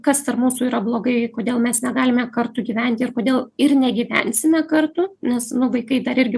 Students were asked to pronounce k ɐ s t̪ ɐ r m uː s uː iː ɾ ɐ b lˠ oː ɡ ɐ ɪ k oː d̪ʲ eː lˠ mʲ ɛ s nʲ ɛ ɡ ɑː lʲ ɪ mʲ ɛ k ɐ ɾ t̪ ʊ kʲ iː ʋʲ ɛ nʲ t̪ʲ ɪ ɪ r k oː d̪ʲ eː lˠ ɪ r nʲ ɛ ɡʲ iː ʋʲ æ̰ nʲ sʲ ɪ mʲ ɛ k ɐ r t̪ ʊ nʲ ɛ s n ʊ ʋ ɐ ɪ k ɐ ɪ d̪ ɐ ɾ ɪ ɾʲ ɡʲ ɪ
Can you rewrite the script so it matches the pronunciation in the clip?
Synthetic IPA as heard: k ɐ s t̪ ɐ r m uː s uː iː ɾ ɐ b lˠ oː ɡ ɐ ɪ k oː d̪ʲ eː lˠ mʲ ɛ s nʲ ɛ ɡ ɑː lʲ ɪ mʲ ɛ k ɐ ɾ t̪ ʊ ɡʲ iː ʋʲ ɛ nʲ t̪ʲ ɪ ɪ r k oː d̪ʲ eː lˠ ɪ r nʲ ɛ ɡʲ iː ʋʲ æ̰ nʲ sʲ ɪ mʲ ɛ k ɐ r t̪ ʊ nʲ ɛ s n ʊ ʋ ɐ ɪ k ɐ ɪ d̪ ɐ ɾ ɪ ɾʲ ɡʲ ɪ